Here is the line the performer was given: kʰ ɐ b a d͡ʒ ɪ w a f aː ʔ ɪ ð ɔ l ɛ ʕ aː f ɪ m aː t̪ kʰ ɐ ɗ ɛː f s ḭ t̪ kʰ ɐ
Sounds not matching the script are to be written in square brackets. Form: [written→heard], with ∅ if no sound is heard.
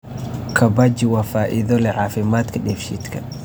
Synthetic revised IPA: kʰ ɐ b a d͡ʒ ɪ w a f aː ʔ ɪ ð ɔ l ɛ ʕ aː f ɪ m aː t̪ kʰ ɐ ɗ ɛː f [s→ʃ] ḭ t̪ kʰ ɐ